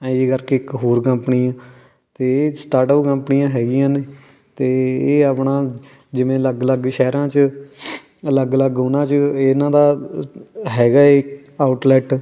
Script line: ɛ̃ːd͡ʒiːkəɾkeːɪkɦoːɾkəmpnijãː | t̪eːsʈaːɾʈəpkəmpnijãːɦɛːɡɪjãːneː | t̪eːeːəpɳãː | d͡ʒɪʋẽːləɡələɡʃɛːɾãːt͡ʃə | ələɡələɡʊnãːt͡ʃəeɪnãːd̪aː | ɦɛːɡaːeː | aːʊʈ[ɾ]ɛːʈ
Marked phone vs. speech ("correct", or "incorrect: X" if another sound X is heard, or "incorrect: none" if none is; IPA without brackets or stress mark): incorrect: l